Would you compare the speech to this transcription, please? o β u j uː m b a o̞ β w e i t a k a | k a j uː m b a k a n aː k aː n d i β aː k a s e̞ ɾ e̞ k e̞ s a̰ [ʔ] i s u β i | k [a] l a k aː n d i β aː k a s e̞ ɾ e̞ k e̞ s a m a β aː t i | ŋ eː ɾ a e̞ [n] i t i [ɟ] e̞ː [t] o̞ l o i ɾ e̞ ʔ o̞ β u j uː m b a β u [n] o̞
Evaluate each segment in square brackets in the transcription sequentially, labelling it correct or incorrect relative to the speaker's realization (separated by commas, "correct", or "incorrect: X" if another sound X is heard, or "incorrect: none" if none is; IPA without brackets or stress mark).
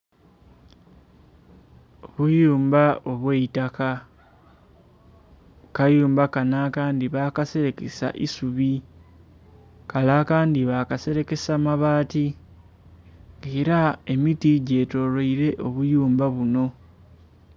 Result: correct, correct, incorrect: m, correct, correct, correct